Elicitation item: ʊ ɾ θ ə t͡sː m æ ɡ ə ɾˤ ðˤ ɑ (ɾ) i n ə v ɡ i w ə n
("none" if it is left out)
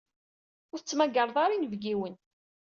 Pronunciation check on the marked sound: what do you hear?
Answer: ɾ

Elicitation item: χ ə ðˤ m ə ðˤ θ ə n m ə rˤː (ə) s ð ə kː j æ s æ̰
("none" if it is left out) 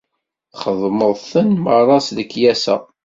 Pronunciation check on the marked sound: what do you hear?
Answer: ɑ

